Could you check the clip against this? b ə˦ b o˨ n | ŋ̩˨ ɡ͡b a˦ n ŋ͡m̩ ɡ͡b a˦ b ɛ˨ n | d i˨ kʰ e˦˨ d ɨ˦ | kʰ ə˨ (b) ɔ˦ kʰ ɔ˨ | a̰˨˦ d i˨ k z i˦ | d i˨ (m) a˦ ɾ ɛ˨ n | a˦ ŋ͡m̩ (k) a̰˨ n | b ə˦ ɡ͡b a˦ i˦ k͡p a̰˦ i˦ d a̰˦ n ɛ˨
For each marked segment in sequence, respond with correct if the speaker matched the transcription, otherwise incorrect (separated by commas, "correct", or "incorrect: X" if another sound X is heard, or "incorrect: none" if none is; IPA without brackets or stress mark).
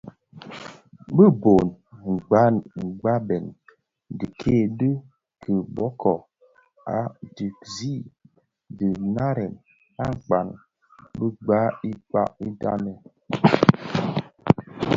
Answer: correct, incorrect: n, incorrect: k͡p